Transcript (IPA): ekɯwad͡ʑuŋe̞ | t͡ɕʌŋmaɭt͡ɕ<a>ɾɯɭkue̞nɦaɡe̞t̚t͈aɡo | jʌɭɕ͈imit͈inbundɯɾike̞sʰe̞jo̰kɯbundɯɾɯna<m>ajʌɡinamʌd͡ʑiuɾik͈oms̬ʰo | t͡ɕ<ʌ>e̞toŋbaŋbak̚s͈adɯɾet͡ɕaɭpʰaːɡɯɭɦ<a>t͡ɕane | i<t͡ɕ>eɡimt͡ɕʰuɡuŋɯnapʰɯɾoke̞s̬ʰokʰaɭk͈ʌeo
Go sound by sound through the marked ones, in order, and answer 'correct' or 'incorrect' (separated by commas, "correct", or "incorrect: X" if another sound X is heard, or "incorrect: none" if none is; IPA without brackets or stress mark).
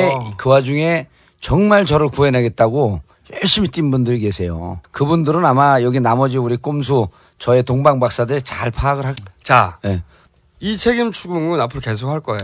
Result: incorrect: ʌ, correct, correct, correct, incorrect: t͡ɕʰ